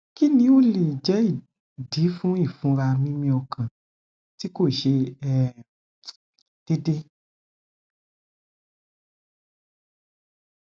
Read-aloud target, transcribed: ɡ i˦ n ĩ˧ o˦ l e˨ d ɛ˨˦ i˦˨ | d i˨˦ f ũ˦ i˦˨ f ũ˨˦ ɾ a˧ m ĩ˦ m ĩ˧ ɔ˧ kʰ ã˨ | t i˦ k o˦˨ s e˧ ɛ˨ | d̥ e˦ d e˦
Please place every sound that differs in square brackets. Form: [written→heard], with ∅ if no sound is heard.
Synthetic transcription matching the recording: [ɡ→k] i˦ n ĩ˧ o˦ l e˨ [d→d͡ʒ] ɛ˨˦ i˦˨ | d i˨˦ f ũ˦ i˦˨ f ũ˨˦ ɾ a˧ m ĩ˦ m ĩ˧ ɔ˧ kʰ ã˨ | t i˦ k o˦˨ [s→ʃ] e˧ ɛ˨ | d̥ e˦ d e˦